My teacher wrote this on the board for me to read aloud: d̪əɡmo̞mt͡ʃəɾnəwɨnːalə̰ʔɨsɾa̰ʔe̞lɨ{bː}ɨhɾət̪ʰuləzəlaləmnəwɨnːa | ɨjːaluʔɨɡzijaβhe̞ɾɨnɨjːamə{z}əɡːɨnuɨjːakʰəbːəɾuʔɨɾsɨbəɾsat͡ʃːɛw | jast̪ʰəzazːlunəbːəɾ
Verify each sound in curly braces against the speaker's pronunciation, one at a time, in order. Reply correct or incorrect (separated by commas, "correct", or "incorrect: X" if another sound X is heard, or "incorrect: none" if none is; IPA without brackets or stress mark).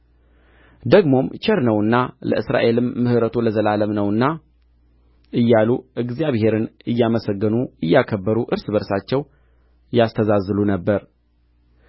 incorrect: mː, incorrect: s